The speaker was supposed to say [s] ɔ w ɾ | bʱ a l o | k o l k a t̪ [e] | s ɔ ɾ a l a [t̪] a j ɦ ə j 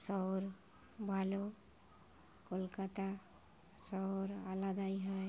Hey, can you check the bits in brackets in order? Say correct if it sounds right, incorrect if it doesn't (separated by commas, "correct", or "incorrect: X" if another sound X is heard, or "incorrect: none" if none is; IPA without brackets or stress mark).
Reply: correct, incorrect: a, incorrect: d̪